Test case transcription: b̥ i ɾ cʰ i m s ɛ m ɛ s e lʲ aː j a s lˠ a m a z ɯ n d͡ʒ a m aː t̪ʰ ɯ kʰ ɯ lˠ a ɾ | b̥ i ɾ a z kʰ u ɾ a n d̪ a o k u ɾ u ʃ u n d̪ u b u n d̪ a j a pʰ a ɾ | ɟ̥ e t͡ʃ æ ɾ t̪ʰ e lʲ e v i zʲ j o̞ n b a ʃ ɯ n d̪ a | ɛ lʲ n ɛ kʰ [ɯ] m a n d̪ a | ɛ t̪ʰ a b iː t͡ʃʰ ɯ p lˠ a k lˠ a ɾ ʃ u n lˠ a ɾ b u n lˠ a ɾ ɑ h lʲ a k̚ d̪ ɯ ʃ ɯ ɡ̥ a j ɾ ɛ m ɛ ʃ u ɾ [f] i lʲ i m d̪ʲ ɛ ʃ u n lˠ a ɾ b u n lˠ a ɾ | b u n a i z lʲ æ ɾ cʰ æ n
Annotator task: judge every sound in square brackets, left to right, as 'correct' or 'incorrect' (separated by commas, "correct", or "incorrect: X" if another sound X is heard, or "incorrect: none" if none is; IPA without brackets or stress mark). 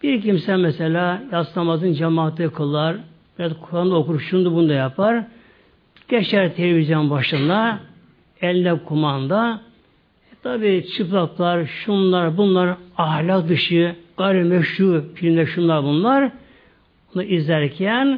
incorrect: u, correct